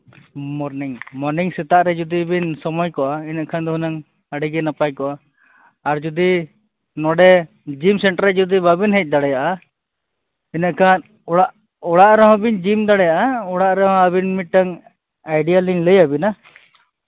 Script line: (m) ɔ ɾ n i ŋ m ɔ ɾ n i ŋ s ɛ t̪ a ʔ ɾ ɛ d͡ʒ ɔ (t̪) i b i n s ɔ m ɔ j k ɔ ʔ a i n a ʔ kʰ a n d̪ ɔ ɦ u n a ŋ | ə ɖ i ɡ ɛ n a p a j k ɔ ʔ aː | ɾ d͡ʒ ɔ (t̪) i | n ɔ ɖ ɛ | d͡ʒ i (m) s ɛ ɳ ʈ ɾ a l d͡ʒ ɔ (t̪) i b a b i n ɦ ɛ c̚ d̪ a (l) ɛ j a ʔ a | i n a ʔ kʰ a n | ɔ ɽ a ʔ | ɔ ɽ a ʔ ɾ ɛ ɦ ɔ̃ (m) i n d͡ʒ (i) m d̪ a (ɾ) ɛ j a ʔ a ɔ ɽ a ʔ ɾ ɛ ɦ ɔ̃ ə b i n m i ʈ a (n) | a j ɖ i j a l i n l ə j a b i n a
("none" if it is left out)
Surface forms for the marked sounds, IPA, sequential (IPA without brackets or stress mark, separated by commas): m, d̪, d̪, m, d̪, ɽ, b, i, ɽ, ŋ